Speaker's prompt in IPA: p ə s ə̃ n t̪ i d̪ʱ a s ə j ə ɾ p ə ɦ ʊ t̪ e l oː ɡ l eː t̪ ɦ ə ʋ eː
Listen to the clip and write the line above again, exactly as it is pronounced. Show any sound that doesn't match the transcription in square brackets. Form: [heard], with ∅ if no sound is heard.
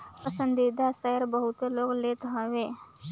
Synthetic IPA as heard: p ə s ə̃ n [d̪] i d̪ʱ a s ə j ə ɾ [b] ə ɦ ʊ t̪ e l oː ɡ l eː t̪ ɦ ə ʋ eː